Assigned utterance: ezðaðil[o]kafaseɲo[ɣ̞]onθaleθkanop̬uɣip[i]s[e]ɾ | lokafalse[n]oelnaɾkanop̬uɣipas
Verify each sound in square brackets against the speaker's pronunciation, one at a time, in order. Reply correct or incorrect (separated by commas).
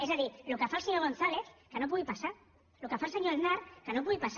correct, correct, incorrect, incorrect, incorrect